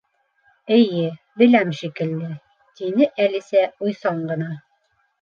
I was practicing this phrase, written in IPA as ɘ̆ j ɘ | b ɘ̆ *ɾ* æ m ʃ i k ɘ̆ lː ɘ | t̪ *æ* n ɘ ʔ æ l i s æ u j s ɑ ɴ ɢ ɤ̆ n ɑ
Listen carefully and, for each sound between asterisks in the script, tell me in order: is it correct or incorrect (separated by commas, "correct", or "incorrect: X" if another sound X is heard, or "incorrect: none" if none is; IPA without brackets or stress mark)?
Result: incorrect: l, incorrect: i